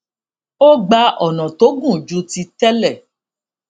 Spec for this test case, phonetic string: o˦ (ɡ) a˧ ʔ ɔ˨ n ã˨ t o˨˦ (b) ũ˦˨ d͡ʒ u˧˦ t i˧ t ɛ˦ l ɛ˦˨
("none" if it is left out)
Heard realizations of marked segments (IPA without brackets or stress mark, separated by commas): ɡ͡b, ɡ